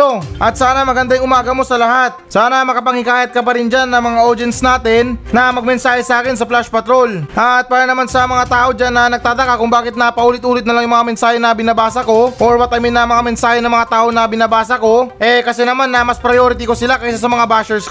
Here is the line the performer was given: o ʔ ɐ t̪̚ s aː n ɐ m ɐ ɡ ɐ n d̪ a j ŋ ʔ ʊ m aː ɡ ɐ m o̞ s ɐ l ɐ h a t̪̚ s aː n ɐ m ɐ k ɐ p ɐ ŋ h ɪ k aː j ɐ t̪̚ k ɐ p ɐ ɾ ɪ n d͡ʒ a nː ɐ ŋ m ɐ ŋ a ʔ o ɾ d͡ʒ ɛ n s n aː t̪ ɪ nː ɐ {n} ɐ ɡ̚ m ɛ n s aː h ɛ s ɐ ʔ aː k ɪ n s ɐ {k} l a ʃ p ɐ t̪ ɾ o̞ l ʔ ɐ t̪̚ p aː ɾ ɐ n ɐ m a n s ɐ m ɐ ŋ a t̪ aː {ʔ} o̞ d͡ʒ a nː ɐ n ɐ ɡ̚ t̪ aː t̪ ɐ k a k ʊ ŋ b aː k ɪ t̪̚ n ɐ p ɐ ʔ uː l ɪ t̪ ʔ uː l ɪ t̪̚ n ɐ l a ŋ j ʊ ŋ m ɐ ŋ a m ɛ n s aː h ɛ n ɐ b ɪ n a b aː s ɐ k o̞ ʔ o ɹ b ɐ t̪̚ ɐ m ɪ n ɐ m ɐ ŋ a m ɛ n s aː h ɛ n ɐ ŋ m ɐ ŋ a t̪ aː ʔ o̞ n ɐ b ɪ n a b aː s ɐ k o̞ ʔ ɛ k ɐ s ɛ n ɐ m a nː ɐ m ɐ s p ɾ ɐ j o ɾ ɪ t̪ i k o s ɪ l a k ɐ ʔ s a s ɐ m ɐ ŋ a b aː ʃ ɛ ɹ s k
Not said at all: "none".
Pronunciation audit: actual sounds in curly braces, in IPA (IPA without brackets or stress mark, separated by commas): m, p, ʔ